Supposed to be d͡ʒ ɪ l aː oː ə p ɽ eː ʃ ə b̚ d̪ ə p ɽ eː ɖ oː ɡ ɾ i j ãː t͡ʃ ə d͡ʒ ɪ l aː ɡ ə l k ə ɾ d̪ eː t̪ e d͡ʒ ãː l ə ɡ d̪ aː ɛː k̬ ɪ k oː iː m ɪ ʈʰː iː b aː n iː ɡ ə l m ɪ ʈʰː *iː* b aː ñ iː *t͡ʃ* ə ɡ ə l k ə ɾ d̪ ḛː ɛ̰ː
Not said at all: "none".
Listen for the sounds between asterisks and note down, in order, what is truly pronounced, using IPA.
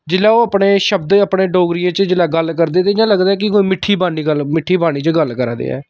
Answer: iː, t͡ʃ

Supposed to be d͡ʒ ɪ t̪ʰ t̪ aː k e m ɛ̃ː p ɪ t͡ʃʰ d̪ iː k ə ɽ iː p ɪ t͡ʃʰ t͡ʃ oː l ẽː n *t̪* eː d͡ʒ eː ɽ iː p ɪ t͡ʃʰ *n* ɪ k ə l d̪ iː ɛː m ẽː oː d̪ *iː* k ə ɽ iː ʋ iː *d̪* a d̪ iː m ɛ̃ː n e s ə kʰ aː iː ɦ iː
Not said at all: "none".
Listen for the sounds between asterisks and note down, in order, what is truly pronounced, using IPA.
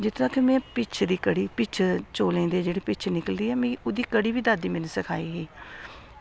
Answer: d̪, n, iː, d̪

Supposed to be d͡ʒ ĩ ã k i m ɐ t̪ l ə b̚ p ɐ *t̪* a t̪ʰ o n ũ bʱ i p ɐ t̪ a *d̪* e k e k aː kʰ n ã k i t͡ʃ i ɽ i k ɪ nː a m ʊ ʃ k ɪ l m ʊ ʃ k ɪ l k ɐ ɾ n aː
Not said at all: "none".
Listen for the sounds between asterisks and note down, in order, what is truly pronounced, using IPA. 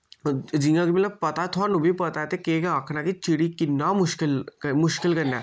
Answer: t̪, t̪

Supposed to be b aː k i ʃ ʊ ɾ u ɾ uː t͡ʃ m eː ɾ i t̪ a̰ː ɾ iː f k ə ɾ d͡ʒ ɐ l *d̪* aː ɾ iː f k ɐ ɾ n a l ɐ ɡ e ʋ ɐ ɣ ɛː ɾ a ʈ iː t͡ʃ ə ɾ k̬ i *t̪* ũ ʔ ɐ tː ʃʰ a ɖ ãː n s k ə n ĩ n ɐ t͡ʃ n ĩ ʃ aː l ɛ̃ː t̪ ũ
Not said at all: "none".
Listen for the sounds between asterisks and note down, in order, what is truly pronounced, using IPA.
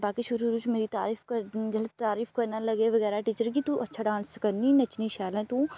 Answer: t̪, t̪

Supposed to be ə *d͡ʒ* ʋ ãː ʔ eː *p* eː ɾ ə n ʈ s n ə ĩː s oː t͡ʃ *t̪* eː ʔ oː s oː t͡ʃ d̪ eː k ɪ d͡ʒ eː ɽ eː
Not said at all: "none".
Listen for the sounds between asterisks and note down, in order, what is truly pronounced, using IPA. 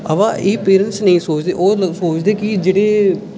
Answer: none, p, d̪

